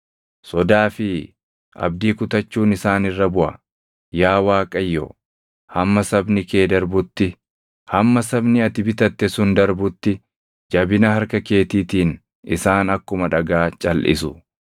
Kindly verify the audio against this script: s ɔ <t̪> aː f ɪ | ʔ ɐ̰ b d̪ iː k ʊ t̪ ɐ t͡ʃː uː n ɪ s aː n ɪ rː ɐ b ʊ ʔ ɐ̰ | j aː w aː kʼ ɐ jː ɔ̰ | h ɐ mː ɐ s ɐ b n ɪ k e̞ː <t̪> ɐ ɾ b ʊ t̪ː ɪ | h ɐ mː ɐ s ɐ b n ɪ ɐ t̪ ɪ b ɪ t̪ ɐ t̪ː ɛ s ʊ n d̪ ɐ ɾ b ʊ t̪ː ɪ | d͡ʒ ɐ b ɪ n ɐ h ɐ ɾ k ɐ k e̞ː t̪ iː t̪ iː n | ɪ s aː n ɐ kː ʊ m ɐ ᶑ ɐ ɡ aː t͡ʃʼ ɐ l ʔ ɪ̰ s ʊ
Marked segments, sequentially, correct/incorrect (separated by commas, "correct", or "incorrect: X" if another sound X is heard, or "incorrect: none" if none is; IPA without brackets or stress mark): incorrect: d̪, incorrect: d̪